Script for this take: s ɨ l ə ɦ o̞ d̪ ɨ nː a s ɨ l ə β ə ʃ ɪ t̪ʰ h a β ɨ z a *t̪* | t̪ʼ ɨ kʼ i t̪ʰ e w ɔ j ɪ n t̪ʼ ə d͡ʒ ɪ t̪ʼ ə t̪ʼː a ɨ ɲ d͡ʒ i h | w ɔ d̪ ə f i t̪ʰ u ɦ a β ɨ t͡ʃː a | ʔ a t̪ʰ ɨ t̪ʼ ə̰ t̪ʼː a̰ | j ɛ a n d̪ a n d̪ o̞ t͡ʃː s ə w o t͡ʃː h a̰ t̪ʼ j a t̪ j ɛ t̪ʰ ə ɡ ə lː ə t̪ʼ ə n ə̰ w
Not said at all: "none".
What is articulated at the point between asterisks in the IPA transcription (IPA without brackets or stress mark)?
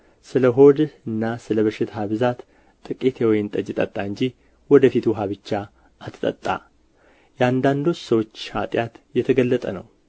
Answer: t̪